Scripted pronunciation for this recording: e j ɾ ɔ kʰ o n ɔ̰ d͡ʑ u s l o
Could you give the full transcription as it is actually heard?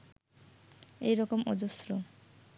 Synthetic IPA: e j ɾ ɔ k o m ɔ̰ d͡ʑ o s ɾ o